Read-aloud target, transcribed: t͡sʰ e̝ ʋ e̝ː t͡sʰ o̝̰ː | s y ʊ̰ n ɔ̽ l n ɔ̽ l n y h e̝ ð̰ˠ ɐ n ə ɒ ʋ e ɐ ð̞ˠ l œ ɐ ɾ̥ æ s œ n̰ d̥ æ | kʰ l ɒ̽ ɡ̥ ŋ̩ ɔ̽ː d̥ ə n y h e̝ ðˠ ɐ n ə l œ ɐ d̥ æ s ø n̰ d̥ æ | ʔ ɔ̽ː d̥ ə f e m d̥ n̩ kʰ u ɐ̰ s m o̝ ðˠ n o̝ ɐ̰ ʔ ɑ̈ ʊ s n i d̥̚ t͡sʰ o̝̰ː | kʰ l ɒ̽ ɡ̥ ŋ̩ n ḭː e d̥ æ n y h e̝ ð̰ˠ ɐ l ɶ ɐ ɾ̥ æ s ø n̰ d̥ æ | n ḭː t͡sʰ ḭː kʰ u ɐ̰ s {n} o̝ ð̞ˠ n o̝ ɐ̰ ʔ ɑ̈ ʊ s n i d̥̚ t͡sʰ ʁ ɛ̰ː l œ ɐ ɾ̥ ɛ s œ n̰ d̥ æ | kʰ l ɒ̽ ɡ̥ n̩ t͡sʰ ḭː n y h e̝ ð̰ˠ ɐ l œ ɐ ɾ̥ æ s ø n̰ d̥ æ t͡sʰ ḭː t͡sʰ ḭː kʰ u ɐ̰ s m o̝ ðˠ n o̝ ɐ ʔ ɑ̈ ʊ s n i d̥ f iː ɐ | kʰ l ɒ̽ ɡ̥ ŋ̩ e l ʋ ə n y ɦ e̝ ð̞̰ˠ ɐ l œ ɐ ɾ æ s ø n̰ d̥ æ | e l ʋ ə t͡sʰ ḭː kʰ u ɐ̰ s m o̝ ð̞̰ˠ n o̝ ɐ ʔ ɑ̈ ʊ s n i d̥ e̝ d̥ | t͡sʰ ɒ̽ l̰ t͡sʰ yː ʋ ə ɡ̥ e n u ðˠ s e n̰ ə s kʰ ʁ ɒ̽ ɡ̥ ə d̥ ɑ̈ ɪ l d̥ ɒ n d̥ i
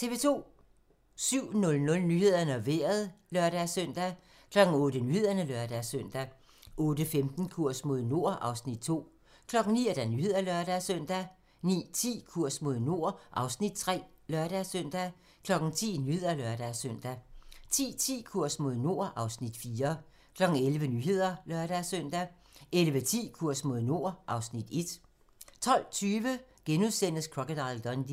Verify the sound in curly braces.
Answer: incorrect: m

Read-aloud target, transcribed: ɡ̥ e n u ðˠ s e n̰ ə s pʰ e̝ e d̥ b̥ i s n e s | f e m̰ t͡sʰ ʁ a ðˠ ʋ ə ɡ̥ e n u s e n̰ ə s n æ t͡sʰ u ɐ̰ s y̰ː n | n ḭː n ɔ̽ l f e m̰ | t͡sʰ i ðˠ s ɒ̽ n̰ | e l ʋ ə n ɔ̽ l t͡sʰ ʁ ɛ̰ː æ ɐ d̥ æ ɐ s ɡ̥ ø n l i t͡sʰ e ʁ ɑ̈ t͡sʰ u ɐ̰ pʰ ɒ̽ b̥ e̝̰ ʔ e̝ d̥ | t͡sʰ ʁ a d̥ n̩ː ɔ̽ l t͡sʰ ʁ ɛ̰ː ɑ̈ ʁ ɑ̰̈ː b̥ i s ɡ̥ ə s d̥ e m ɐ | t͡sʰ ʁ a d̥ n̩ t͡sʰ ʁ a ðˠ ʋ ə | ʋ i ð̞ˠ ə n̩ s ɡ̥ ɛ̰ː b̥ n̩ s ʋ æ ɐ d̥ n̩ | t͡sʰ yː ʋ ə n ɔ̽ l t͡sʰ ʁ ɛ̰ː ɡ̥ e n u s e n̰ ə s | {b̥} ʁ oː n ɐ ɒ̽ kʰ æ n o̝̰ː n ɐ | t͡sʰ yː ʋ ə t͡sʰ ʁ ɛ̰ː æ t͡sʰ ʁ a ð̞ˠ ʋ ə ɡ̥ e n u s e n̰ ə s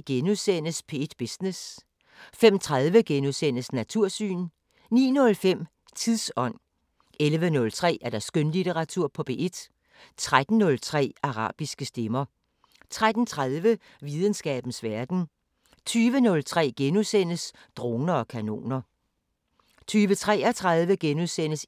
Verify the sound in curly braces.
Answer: incorrect: d̥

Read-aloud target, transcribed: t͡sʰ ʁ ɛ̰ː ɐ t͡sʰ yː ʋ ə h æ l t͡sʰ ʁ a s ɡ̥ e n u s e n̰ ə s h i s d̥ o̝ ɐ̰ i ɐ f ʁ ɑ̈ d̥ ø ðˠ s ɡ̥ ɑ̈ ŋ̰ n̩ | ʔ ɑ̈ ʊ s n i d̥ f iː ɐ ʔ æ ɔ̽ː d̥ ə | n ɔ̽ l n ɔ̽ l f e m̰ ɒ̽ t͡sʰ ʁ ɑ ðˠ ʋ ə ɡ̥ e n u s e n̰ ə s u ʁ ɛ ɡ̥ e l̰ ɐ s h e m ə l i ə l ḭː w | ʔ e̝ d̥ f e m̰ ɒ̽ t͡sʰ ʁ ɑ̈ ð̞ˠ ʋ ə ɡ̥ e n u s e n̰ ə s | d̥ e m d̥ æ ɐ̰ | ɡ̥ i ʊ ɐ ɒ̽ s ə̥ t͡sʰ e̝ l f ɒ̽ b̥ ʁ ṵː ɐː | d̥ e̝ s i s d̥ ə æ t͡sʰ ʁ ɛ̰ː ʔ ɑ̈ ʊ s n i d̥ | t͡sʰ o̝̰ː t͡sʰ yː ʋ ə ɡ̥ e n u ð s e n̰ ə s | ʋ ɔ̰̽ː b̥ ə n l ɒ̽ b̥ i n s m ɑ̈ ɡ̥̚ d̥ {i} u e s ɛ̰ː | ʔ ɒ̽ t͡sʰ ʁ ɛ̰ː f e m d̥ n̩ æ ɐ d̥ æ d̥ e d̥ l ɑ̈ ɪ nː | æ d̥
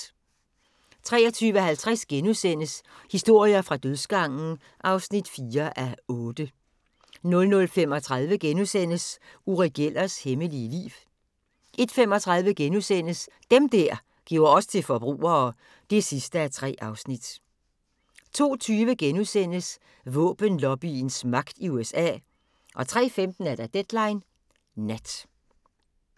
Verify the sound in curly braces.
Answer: correct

